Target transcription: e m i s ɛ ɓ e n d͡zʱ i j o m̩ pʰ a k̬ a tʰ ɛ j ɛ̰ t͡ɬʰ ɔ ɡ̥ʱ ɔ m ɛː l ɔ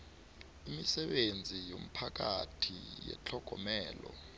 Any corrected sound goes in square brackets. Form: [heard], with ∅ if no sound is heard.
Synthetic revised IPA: [i] m i s ɛ ɓ e n d͡zʱ i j o m̩ pʰ a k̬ a tʰ [i] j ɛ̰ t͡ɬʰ ɔ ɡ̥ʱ ɔ m ɛː l ɔ